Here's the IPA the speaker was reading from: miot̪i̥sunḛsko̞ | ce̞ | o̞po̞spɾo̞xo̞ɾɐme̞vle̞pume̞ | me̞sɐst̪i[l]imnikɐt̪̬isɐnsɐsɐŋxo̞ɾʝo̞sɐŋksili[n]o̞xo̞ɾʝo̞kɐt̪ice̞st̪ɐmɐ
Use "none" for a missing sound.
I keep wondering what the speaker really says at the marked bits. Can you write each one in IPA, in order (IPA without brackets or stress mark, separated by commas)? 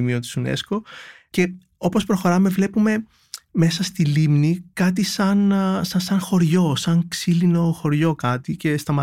l, n